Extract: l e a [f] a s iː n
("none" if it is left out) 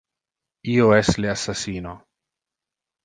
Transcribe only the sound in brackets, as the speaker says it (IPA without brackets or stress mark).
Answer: s